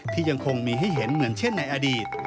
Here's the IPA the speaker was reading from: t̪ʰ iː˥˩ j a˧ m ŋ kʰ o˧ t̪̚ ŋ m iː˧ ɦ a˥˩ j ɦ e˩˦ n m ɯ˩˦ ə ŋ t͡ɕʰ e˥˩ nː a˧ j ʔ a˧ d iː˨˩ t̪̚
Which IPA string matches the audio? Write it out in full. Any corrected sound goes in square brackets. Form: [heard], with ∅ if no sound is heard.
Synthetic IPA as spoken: t̪ʰ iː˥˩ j a˧ [∅] ŋ kʰ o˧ [∅] ŋ m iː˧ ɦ a˥˩ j ɦ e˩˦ n m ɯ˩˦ ə [n] t͡ɕʰ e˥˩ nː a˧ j ʔ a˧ d iː˨˩ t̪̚